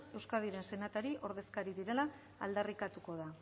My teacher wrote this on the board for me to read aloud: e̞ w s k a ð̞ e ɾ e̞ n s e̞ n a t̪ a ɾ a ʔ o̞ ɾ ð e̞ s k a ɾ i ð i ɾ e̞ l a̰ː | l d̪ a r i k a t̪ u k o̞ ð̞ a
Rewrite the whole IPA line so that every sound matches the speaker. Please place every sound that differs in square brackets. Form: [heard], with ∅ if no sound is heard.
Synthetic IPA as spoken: e̞ w s k a ð̞ [i] ɾ e̞ n s e̞ n a t̪ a ɾ [i] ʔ o̞ ɾ ð e̞ s k a ɾ i ð i ɾ e̞ l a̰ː | l d̪ a r i k a t̪ u k o̞ ð̞ a